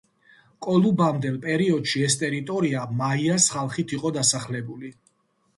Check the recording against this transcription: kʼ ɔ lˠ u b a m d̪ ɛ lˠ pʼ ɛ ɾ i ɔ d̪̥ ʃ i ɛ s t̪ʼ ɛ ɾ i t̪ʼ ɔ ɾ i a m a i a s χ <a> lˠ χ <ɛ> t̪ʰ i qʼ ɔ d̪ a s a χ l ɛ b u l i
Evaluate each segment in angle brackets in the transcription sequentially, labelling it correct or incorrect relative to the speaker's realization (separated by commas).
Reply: correct, incorrect